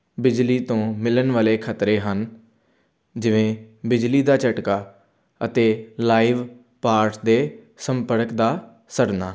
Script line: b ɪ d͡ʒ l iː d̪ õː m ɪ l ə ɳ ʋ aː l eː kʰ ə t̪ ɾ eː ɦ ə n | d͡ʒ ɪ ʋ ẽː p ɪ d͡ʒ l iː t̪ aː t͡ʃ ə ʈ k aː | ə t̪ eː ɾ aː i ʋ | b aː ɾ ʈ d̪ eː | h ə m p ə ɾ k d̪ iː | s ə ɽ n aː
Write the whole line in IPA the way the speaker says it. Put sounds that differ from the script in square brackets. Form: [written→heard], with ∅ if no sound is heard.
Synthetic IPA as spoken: b ɪ d͡ʒ l iː [d̪→t̪] õː m ɪ l ə [ɳ→n] ʋ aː l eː kʰ ə t̪ ɾ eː ɦ ə n | d͡ʒ ɪ ʋ ẽː [p→b] ɪ d͡ʒ l iː [t̪→d̪] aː t͡ʃ ə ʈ k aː | ə t̪ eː [ɾ→l] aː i ʋ | [b→p] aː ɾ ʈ d̪ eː | [h→s] ə m p ə ɾ k d̪ [iː→aː] | s ə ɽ n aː